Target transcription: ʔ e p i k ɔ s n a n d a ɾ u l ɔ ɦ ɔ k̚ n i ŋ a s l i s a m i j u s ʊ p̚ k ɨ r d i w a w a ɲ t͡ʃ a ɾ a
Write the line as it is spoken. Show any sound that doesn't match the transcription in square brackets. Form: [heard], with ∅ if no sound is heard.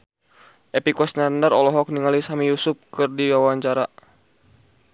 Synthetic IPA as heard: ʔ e p i k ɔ s n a n d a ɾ [ɔ] l ɔ ɦ ɔ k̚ n i ŋ a [∅] l i s a m i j u s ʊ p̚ k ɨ r d i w a w a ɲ t͡ʃ a ɾ a

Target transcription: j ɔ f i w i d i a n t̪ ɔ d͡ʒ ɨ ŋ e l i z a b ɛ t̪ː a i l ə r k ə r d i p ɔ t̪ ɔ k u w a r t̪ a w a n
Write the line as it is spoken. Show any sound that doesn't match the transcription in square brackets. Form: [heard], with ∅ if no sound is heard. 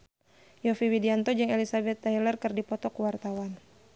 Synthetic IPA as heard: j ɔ f i w i d i a n t̪ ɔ d͡ʒ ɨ ŋ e l i [s] a b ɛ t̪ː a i l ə r k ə r d i p ɔ t̪ ɔ k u w a r t̪ a w a n

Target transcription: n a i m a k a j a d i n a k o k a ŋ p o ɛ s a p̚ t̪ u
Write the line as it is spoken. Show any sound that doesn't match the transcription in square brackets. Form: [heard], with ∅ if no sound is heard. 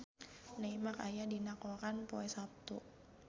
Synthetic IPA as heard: n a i m a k a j a d i n a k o k a [n] p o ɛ s a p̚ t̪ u

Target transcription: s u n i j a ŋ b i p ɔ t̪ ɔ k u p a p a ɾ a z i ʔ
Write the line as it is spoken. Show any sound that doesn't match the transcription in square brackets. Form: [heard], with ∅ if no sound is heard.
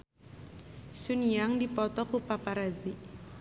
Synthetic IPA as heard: s u n i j a ŋ [d] i p ɔ t̪ ɔ k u p a p a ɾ a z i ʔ

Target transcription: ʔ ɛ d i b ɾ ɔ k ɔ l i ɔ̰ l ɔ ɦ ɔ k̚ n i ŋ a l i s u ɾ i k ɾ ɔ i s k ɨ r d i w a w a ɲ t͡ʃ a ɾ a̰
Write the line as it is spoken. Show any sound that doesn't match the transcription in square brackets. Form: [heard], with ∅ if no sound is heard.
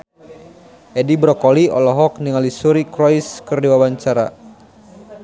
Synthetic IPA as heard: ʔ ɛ d i b ɾ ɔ k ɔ l i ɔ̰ l ɔ ɦ ɔ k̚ n i ŋ a l i s u ɾ i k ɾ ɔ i s k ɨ r d i w a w a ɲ t͡ʃ a ɾ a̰

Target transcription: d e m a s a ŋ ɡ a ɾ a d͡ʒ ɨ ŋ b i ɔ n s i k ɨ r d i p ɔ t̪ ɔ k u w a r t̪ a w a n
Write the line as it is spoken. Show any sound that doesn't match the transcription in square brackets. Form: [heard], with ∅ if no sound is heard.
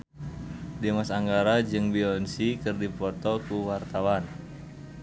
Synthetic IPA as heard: d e m a s a ŋ ɡ a ɾ a d͡ʒ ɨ ŋ b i ɔ n s i k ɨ r d i p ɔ t̪ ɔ k u w a r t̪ a w a n

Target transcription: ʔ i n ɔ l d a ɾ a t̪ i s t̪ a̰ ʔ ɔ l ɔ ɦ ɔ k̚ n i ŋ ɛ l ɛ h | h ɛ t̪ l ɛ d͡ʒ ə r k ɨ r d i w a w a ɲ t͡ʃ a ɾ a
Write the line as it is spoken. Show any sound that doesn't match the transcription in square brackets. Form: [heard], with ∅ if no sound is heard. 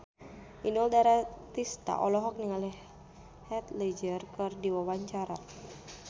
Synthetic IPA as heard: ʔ i n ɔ l d a ɾ a t̪ i s t̪ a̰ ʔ ɔ l ɔ ɦ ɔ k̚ n i ŋ [a] l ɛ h | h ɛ t̪ l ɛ d͡ʒ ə r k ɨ r d i w a w a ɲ t͡ʃ a ɾ a

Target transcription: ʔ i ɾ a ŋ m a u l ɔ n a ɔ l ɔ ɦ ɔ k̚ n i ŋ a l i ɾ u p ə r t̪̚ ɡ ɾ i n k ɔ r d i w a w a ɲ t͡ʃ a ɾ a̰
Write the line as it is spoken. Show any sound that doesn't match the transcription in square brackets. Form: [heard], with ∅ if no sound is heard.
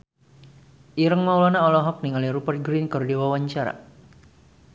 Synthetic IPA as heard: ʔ i ɾ [ə] ŋ m a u l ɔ n a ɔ l ɔ ɦ ɔ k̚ n i ŋ a l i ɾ u p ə r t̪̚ ɡ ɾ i n k ɔ r d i w a w a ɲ t͡ʃ a ɾ a̰

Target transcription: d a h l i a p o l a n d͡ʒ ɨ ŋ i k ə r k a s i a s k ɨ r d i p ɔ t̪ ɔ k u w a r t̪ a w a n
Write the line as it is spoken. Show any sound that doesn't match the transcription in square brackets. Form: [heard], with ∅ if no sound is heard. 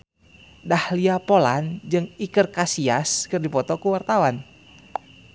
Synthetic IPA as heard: d a h l i a p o l a n d͡ʒ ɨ ŋ i k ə r k a s i a s k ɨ r d i p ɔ t̪ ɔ k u w a r t̪ a w a n

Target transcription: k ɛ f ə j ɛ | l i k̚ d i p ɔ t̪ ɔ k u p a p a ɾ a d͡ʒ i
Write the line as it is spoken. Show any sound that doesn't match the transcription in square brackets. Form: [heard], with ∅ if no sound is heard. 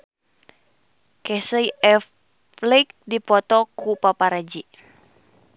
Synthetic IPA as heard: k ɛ [s] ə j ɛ | l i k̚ d i p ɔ t̪ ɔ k u p a p a ɾ a d͡ʒ i

